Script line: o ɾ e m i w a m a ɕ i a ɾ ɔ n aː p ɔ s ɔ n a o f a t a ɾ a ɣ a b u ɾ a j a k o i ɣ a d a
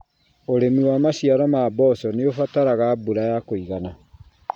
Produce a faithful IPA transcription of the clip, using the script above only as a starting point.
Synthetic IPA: o ɾ e m i w a m a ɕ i a ɾ ɔ m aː b ɔ s ɔ n e o f a t a ɾ a ɣ a b u ɾ a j a k o i ɣ a n a